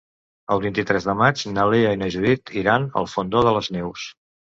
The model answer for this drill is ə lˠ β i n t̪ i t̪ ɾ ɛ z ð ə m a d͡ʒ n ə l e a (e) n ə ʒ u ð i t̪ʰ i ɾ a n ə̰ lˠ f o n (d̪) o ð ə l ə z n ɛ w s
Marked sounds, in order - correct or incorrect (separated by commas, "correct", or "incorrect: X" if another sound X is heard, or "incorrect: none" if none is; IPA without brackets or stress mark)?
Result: incorrect: i, correct